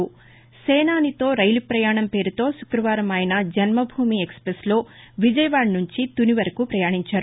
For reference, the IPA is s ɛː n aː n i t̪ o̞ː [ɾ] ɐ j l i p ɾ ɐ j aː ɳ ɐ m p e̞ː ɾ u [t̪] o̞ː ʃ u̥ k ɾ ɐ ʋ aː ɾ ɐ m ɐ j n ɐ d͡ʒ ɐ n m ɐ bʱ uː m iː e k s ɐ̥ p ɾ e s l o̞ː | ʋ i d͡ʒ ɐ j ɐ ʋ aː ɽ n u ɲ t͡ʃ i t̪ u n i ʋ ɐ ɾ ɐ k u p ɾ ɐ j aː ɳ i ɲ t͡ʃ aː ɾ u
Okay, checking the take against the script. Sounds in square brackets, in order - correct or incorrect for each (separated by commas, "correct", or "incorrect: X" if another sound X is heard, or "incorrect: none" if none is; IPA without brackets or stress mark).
correct, correct